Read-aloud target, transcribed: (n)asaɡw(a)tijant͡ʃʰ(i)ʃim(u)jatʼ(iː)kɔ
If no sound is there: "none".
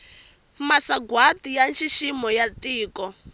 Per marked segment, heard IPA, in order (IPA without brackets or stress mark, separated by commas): m, a, i, ɔ, iː